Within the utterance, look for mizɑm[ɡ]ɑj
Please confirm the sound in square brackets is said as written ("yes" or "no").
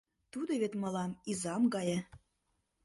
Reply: yes